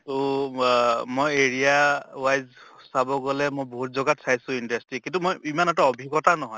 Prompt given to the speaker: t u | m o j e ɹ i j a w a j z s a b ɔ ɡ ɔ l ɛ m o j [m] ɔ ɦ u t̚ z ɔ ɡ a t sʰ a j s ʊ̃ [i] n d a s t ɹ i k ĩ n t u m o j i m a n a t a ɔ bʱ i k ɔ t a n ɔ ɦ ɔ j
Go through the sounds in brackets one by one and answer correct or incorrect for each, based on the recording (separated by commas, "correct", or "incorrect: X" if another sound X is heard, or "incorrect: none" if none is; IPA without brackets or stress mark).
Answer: incorrect: b, correct